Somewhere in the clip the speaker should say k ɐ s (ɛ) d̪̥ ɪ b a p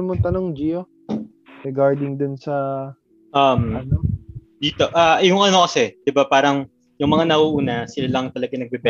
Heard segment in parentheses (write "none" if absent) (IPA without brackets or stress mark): ɛ